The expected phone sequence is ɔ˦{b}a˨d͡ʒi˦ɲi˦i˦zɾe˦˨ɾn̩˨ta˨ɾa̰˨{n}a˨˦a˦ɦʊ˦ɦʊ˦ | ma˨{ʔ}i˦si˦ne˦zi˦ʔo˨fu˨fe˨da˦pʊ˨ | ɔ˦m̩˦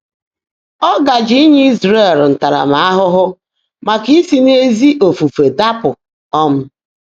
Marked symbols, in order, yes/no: no, no, no

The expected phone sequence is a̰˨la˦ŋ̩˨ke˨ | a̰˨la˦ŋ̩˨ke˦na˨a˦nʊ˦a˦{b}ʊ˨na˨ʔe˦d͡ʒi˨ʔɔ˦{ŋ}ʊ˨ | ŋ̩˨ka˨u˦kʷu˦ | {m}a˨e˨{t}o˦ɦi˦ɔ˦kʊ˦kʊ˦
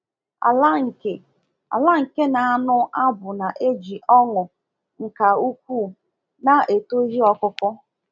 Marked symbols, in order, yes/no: yes, yes, no, yes

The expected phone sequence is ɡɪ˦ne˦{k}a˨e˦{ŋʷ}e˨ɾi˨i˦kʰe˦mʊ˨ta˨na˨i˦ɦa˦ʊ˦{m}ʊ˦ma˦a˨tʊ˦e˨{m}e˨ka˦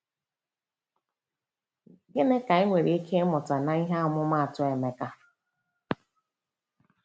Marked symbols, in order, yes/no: yes, yes, yes, yes

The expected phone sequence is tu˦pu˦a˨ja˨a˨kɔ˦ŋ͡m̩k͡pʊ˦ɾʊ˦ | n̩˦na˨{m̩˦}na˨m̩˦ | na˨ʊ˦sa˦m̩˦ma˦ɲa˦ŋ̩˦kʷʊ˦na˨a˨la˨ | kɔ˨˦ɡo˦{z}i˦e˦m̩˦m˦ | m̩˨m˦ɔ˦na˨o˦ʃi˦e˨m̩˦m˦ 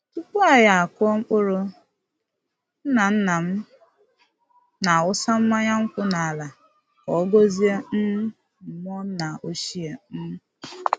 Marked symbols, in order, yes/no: no, yes

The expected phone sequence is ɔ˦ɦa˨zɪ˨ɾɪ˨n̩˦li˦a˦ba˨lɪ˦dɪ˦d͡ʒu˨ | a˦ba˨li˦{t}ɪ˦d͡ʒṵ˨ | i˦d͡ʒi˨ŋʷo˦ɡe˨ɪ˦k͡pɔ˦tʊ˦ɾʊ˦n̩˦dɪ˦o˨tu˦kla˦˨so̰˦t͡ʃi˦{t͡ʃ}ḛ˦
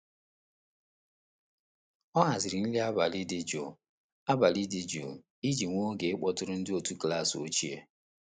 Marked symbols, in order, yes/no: no, no

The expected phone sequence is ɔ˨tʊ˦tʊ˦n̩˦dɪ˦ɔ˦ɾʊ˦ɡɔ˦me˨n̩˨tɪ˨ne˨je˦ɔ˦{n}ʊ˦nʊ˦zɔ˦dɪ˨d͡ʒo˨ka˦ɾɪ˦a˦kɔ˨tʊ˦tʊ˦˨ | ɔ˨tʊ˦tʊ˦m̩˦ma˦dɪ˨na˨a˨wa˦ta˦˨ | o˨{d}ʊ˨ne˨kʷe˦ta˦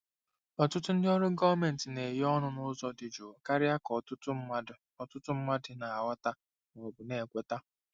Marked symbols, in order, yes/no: yes, no

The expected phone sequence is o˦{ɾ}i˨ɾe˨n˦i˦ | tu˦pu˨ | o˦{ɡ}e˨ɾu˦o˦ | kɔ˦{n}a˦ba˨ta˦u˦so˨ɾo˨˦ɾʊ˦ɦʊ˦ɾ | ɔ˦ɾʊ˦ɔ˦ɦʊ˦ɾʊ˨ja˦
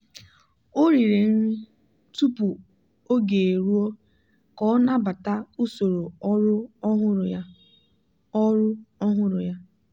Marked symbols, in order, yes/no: yes, yes, yes

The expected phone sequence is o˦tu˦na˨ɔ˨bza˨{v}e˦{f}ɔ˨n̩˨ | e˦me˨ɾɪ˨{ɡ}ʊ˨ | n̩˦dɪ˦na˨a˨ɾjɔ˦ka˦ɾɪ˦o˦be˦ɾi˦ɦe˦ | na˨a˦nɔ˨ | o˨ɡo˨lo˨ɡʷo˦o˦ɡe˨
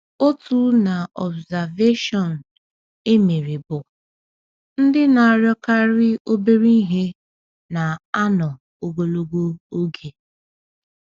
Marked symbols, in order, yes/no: yes, no, no

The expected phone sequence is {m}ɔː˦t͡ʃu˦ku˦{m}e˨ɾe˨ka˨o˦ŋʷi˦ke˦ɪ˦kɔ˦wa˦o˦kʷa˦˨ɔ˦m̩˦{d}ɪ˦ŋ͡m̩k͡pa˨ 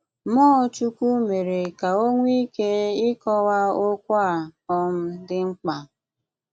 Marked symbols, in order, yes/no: yes, yes, yes

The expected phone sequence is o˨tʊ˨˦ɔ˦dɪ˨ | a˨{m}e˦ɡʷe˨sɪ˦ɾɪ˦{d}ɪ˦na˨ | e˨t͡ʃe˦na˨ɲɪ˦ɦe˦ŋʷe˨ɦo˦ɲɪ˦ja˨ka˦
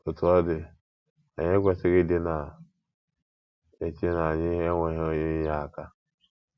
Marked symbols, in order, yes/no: no, yes

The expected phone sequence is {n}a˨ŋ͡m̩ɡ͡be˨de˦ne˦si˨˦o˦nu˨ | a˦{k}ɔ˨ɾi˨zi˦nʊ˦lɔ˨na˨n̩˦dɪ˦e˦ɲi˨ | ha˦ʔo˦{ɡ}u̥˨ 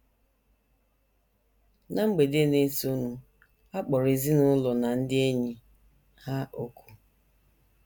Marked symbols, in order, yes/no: yes, no, no

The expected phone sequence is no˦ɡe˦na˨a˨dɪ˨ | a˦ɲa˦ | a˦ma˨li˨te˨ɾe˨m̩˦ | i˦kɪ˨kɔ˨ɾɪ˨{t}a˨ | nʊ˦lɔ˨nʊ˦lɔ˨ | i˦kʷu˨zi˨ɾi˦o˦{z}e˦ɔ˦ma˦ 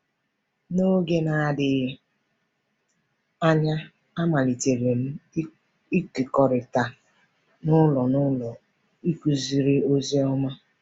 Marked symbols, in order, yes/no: yes, yes

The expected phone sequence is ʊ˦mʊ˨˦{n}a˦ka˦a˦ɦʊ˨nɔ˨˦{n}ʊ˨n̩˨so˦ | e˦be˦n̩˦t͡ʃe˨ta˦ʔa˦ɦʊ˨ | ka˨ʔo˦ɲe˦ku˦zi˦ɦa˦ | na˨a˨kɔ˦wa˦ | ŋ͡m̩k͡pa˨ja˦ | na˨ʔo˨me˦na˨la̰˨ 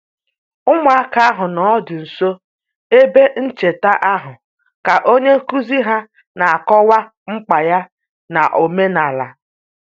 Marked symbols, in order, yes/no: no, no

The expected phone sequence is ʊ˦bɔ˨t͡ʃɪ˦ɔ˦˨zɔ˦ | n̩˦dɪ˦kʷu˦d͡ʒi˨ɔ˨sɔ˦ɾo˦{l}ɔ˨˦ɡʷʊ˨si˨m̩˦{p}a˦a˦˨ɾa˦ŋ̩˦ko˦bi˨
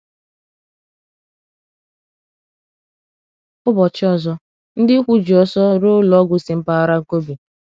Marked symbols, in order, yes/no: yes, yes

